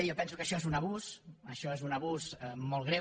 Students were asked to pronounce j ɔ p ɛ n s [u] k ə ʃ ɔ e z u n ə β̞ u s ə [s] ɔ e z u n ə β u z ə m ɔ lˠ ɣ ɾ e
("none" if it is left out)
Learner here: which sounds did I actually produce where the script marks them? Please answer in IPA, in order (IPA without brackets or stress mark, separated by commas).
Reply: u, ʃ